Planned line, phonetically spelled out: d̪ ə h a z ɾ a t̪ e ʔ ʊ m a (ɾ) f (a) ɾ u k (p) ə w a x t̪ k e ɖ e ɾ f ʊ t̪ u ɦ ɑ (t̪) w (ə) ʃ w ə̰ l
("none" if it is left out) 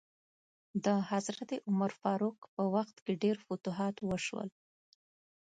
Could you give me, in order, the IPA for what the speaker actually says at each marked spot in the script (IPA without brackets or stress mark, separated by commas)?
ɾ, ɑ, p, t̪, ə